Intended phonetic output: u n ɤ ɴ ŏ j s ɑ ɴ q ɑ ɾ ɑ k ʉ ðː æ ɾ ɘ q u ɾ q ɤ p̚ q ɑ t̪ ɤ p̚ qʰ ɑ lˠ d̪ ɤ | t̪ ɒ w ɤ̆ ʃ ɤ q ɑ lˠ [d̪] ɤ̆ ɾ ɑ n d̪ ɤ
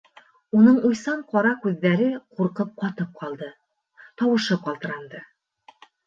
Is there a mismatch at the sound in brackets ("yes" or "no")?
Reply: yes